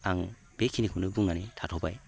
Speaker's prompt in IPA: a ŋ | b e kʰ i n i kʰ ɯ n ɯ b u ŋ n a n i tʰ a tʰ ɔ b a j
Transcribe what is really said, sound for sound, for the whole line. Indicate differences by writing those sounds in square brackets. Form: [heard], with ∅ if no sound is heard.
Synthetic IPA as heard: a ŋ | b e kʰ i n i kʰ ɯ n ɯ b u ŋ n a n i tʰ a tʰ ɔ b a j